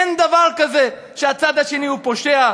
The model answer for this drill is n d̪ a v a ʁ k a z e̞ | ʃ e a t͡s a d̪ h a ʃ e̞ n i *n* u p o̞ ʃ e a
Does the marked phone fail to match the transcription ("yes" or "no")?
yes